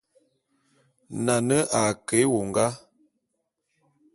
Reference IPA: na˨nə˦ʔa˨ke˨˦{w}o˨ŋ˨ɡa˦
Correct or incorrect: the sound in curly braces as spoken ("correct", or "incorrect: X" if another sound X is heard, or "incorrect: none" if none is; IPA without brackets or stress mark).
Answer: correct